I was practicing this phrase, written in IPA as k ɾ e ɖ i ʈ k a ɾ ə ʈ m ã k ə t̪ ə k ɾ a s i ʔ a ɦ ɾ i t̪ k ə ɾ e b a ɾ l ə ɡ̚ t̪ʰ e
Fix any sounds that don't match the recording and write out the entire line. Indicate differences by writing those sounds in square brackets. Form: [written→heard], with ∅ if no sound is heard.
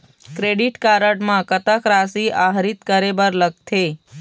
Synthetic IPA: k ɾ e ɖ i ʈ k a ɾ ə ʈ m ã k ə t̪ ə k ɾ a s i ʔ a ɦ ɾ i t̪ k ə ɾ e b [a→ə] ɾ l ə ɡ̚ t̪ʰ e